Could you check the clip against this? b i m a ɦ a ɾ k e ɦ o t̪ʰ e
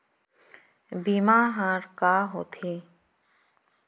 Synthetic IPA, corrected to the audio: b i m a ɦ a ɾ k a ɦ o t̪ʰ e